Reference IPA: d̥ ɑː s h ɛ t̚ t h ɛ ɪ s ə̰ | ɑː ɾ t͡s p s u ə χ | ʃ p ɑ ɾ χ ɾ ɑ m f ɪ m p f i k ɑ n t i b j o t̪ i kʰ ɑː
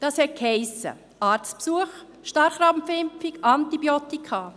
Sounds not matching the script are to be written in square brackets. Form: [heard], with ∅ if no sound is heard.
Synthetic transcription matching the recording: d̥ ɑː s h ɛ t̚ [k] h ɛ ɪ s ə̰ | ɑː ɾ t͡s p s u ə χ | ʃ [t] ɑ ɾ χ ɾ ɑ m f ɪ m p f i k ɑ n t i b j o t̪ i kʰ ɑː